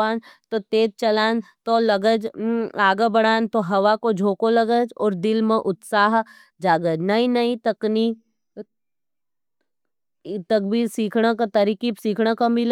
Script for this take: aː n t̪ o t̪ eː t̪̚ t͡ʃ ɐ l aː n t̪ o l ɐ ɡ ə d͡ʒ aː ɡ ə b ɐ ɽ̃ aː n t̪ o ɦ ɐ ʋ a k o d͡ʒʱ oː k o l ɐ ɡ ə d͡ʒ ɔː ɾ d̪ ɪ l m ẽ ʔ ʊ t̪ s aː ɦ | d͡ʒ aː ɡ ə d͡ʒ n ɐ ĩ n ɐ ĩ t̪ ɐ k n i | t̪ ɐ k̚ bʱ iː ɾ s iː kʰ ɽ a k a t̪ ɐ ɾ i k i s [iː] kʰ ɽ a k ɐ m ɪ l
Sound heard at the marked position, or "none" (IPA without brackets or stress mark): iː